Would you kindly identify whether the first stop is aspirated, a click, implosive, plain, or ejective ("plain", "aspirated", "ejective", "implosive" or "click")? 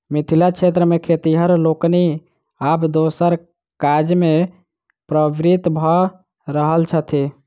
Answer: aspirated